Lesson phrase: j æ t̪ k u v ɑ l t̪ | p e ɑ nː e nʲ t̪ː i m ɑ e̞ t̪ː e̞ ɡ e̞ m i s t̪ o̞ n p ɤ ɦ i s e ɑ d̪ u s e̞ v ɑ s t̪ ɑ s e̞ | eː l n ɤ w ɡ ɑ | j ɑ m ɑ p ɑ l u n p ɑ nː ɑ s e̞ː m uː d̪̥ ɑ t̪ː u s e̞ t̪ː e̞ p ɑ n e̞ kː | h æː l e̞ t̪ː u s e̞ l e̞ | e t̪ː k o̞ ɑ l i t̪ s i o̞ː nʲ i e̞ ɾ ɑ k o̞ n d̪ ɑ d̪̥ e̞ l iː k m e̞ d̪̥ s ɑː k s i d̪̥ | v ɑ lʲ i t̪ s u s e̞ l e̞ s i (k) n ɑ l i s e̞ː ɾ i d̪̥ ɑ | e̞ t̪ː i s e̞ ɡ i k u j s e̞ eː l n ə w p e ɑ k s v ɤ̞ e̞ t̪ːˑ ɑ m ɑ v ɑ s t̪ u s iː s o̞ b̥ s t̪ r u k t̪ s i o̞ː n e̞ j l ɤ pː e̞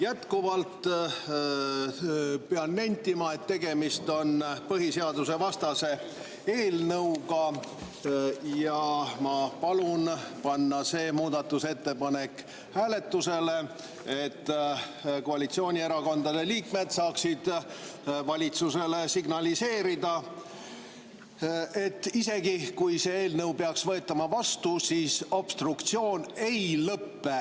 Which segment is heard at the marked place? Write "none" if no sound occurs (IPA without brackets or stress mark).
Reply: ɡ